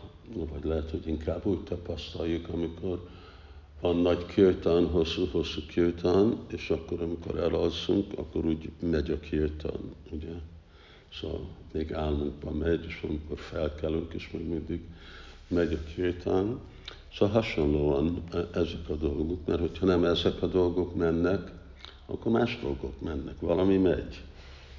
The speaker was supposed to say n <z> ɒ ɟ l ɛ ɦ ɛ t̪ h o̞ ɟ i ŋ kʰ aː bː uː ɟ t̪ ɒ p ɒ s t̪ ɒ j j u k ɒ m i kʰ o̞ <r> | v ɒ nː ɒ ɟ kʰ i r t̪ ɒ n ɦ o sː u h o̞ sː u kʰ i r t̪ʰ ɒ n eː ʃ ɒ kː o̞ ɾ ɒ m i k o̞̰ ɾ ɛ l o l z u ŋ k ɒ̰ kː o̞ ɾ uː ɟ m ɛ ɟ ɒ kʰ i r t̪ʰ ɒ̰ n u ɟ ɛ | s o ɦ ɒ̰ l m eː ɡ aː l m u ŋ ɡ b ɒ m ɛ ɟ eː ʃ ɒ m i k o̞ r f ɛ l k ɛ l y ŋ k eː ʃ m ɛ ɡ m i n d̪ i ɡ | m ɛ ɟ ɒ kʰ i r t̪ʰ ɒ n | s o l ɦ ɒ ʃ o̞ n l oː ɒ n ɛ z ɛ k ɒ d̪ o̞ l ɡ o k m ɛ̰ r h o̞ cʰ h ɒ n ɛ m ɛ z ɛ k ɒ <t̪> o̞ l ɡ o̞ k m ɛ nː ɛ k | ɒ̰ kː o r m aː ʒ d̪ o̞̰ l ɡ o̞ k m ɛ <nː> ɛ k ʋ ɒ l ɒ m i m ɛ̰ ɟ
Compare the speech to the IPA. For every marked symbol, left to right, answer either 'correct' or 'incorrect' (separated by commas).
incorrect, correct, incorrect, correct